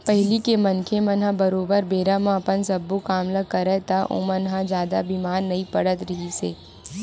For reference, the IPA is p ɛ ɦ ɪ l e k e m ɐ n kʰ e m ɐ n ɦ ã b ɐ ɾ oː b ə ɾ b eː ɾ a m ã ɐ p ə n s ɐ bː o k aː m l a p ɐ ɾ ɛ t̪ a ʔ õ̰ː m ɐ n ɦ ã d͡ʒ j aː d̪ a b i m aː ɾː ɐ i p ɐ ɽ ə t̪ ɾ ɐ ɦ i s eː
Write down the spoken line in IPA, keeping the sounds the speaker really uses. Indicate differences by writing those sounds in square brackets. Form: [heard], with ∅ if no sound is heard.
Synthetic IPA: p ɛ ɦ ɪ l [i] k e m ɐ n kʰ e m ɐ n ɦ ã b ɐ ɾ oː b ə ɾ b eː ɾ a m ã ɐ p ə n s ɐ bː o k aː m l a [k] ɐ ɾ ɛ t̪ a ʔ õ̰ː m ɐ n ɦ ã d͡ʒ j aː d̪ a b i m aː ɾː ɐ i p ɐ ɽ ə t̪ ɾ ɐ ɦ i s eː

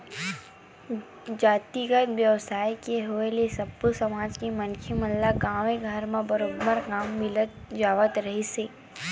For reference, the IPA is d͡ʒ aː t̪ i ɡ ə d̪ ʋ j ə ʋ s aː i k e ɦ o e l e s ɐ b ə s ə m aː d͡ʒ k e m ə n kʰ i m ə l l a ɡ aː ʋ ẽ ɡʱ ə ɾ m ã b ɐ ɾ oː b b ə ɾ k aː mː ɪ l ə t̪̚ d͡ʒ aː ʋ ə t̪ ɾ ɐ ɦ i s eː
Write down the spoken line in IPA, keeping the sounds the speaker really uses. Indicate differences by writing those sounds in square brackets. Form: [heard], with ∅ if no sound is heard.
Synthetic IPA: d͡ʒ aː t̪ i ɡ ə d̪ ʋ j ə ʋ s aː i k e ɦ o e l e s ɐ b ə s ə m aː d͡ʒ k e m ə n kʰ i m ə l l a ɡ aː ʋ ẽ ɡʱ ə ɾ m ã b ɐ ɾ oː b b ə ɾ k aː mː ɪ l ə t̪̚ d͡ʒ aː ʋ ə t̪ ɾ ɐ ɦ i s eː

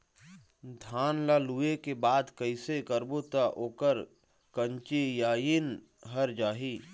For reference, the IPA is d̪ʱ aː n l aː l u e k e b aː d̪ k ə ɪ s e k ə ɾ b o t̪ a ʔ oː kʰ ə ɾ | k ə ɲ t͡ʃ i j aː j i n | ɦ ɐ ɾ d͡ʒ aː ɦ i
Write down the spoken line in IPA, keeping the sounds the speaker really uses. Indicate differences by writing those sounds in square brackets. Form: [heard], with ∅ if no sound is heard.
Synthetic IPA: d̪ʱ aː n l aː l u e k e b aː d̪ k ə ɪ s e k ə ɾ b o t̪ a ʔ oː [k] ə ɾ | k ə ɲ t͡ʃ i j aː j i n | ɦ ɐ ɾ d͡ʒ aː ɦ i

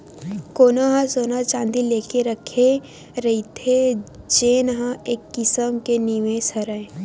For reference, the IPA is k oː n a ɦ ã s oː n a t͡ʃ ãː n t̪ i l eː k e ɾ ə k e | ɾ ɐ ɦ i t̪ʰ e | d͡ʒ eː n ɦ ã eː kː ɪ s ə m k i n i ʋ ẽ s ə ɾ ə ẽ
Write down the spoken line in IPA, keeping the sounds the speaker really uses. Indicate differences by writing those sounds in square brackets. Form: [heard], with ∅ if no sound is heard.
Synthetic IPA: k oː n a ɦ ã s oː n a t͡ʃ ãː n [d̪] i l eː k e ɾ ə [kʰ] e | ɾ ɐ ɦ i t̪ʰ e | d͡ʒ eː n ɦ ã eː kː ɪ s ə m k [e] n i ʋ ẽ s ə ɾ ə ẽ

